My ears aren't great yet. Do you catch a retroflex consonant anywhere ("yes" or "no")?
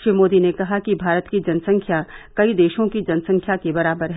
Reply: no